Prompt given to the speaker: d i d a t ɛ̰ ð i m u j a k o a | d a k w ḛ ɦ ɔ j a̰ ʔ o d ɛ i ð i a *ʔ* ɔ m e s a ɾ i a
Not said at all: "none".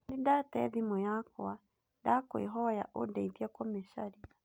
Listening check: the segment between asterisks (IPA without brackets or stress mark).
k